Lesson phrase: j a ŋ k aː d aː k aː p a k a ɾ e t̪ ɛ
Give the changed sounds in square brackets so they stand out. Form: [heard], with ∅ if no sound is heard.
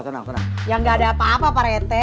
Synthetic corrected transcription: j a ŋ [ɡ] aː d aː [p] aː p a [p] a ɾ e t̪ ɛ